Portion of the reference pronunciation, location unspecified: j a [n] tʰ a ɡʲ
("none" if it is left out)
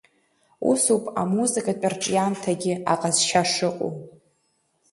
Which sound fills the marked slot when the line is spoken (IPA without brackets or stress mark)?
n